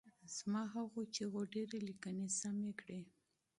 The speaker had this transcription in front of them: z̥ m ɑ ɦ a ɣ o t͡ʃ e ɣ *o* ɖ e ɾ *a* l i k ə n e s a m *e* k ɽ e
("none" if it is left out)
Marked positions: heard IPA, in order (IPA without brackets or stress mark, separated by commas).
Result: o, e, e